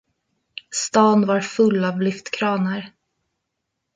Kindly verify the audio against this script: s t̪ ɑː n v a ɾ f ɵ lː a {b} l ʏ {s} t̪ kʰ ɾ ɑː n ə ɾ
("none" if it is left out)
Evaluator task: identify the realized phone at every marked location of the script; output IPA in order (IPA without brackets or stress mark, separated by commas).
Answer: v, f